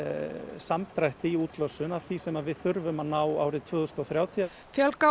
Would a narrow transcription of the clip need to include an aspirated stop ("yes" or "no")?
yes